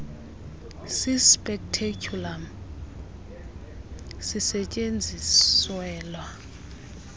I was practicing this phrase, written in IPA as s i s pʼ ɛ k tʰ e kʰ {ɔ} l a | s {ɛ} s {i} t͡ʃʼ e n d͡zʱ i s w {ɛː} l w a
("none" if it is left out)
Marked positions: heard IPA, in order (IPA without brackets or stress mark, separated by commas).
u, i, ɛ, ɛː